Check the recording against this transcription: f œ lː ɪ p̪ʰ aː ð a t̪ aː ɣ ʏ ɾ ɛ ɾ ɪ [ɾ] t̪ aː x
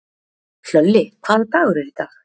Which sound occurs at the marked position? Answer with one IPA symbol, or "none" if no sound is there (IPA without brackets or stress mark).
none